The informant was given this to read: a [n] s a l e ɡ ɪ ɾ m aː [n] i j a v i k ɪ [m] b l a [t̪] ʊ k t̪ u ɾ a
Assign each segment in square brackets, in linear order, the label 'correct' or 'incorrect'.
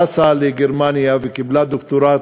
incorrect, correct, incorrect, incorrect

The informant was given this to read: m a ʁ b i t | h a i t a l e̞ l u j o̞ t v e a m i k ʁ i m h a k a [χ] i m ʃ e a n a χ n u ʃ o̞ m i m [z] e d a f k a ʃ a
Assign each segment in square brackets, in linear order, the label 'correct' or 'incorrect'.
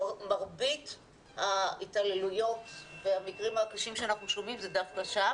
incorrect, correct

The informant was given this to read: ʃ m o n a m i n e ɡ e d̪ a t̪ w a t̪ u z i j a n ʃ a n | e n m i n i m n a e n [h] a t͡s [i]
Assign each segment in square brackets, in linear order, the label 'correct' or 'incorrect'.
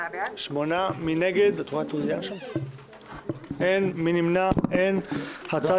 correct, incorrect

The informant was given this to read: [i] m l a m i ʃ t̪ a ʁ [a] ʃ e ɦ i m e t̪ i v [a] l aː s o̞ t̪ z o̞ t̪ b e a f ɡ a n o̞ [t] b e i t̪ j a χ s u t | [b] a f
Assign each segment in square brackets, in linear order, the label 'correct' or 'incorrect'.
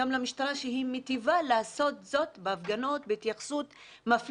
incorrect, correct, correct, correct, incorrect

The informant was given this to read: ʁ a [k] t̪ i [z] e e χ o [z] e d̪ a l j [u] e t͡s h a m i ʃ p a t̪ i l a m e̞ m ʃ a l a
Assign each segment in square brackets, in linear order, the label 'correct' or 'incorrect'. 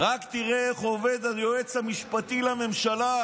correct, incorrect, incorrect, incorrect

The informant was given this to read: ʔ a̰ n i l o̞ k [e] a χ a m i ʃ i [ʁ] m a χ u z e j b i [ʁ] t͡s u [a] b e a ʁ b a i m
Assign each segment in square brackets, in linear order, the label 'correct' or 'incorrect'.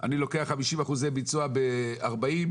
correct, incorrect, incorrect, correct

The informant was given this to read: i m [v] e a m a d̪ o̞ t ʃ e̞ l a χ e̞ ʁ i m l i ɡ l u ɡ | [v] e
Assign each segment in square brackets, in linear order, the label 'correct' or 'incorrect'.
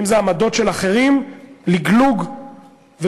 incorrect, correct

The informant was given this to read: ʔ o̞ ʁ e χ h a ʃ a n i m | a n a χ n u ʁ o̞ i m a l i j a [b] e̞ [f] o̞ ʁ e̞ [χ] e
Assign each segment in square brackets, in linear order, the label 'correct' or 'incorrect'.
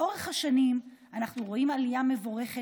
incorrect, incorrect, correct

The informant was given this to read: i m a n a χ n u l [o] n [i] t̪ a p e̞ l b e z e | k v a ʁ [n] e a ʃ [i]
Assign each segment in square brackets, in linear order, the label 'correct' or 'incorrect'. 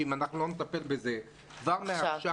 correct, incorrect, incorrect, incorrect

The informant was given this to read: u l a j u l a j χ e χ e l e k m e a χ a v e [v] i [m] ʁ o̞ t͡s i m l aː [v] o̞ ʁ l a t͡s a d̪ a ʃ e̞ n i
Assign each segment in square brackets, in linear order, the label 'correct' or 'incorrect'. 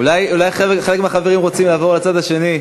incorrect, correct, correct

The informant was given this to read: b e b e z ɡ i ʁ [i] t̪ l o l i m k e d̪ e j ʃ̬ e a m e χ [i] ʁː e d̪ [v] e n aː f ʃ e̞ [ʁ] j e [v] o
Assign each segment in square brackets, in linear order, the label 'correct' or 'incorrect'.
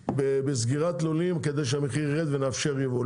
incorrect, correct, correct, correct, correct

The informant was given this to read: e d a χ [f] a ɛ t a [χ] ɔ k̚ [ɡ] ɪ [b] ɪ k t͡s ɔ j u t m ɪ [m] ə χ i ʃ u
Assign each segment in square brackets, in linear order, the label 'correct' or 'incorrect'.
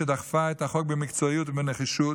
correct, correct, incorrect, incorrect, incorrect

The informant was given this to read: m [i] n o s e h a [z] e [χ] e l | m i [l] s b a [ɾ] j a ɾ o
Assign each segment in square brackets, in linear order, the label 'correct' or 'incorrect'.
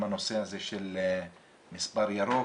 incorrect, correct, incorrect, incorrect, correct

